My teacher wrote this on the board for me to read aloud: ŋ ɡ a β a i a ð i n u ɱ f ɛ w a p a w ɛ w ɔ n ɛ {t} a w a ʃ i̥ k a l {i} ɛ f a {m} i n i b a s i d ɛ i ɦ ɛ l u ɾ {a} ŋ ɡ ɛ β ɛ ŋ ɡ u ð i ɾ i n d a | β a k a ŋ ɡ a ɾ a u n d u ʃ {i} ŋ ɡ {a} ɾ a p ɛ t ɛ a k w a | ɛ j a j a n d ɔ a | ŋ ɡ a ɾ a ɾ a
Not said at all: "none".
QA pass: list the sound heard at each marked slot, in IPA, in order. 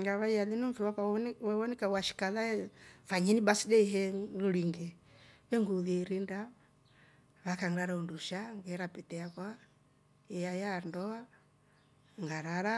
k, a, ɲ, i, a, ɛ

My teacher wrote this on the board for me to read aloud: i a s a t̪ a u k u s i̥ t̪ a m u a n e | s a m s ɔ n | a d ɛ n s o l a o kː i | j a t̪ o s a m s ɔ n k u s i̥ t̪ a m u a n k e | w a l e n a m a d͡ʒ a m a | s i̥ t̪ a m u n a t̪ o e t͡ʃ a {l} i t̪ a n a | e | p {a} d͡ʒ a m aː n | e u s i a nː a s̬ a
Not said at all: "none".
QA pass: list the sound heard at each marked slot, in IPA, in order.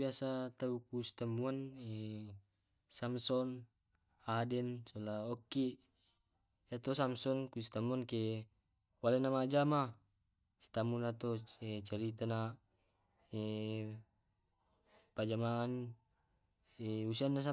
ɾ, a

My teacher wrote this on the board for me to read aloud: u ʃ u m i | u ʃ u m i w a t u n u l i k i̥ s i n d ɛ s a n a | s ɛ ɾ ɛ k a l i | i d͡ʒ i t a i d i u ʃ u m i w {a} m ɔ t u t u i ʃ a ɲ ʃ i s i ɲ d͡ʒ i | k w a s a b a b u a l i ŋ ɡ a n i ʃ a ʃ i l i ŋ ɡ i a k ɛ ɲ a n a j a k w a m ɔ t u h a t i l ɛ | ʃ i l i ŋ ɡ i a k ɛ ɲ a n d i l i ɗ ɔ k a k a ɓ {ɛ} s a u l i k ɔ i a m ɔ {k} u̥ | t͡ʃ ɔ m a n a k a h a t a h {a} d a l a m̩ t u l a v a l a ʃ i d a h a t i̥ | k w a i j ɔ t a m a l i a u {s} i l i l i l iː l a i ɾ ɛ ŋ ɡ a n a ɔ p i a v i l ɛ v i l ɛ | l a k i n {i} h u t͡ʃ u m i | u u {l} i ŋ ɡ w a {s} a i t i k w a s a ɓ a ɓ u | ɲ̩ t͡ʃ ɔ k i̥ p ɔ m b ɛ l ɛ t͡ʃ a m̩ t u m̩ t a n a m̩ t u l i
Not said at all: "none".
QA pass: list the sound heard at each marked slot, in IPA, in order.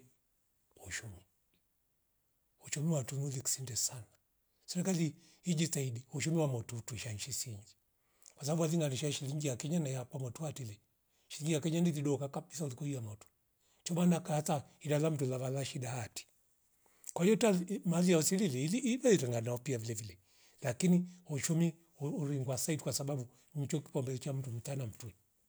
a, i, t, i, s, i, ɾ, s

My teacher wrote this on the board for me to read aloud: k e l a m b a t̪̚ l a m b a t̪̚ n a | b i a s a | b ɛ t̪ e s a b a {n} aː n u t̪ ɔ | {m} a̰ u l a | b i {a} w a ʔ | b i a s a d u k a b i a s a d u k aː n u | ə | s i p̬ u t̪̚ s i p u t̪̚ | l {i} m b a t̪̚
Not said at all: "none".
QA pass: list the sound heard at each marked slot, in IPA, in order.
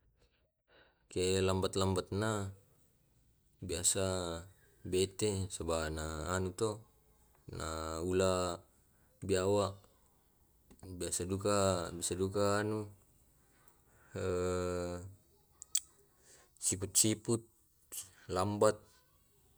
n, n, a, a

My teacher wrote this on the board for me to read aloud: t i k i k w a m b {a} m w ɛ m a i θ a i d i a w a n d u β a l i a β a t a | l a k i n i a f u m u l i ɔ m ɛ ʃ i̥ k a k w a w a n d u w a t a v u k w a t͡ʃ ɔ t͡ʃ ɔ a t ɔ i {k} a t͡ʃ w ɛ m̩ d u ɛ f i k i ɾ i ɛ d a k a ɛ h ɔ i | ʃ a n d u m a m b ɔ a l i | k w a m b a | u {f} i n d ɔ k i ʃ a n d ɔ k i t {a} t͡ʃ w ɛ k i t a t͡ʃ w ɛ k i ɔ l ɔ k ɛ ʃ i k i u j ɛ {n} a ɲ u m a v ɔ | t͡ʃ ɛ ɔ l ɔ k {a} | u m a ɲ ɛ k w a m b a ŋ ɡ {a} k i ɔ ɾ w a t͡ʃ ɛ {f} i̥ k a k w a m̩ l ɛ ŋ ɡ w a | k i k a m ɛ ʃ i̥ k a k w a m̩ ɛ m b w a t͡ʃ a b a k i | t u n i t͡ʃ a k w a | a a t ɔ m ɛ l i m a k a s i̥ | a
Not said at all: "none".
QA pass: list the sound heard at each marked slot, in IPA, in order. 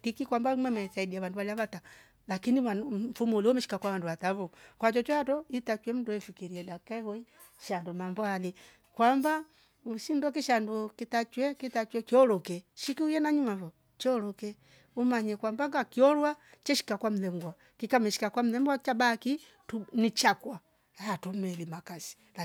a, t, ʃ, a, n, ɛ, a, ʃ

